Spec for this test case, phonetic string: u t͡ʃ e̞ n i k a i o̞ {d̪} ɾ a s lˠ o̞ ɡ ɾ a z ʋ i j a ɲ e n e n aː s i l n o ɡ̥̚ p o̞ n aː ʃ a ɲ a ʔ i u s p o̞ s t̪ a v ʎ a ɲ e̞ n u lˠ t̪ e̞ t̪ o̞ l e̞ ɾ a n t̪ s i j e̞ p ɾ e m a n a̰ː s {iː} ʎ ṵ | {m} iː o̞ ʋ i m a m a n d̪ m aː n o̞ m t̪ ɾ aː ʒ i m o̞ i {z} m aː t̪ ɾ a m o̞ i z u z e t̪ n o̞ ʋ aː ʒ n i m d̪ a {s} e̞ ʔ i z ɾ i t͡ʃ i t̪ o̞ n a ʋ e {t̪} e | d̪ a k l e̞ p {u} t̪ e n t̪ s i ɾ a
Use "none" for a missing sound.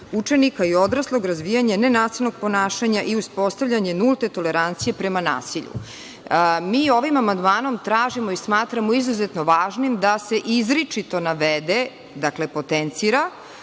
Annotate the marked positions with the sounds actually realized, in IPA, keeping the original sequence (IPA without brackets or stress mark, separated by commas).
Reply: d̪, i, m, s, s, d̪, o